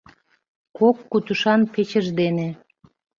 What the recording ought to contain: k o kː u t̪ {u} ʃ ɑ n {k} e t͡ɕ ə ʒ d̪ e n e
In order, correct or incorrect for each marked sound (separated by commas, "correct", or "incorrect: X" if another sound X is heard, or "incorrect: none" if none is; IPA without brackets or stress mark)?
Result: correct, incorrect: p